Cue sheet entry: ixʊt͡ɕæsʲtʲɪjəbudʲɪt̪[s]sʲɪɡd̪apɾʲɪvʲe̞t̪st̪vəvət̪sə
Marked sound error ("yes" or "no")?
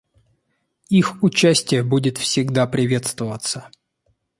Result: yes